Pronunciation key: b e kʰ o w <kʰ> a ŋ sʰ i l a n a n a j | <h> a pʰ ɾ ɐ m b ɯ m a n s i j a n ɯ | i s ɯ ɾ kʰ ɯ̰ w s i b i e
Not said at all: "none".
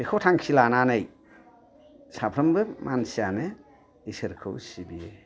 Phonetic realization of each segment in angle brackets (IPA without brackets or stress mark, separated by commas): tʰ, s